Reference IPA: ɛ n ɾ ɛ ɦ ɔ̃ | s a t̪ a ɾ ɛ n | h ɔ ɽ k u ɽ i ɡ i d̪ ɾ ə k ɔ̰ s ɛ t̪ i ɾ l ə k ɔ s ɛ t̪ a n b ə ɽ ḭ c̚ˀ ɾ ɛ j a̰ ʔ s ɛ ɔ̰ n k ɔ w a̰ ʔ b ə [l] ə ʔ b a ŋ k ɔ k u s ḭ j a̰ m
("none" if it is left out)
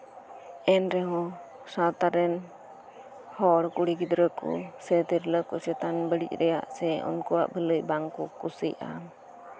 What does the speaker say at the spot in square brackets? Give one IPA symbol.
l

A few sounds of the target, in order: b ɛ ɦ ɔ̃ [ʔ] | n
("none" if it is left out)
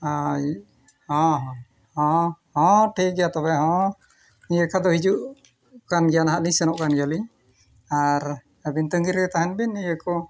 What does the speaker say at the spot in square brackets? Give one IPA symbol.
none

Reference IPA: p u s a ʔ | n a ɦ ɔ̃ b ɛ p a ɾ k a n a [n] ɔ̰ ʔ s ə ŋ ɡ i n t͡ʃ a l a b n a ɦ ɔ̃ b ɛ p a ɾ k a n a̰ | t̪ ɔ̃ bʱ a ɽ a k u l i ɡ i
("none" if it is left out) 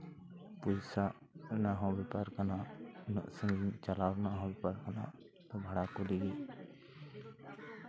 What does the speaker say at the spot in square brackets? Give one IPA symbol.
n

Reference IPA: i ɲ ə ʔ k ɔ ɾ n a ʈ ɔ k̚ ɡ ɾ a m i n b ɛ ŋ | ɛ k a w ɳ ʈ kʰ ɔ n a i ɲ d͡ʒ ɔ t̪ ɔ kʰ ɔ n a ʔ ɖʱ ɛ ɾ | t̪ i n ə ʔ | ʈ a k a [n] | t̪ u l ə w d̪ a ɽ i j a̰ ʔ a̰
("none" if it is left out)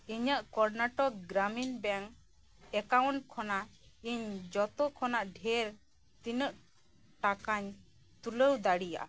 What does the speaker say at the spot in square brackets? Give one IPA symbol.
ɲ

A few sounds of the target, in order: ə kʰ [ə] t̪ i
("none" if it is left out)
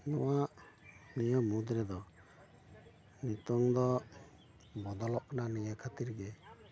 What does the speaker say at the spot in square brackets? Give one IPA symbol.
a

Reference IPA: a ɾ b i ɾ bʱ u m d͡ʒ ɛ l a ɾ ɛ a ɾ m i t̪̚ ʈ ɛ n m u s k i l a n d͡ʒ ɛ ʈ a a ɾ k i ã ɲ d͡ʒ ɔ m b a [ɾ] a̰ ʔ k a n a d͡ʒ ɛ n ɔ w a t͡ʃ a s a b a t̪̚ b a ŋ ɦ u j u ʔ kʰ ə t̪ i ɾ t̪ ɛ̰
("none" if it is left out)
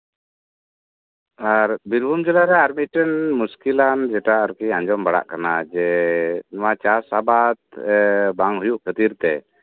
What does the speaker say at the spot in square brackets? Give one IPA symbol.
ɽ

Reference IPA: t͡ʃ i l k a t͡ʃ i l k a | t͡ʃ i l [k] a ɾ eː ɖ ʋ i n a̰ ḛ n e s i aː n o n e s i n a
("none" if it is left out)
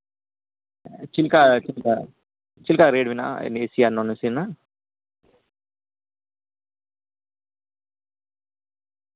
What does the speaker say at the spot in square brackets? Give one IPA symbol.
k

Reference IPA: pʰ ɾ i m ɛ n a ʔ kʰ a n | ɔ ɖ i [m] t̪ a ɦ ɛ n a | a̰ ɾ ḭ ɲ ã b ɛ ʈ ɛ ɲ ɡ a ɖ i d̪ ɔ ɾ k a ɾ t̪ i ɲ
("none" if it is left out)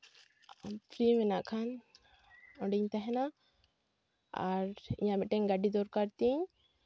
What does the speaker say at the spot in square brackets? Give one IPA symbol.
ɲ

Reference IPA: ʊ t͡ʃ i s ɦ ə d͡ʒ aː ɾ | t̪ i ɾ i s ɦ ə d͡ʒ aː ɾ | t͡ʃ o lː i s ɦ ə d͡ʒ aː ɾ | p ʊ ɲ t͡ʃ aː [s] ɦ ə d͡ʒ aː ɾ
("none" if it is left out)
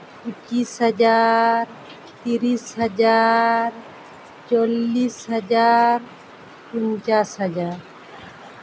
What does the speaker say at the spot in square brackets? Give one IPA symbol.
s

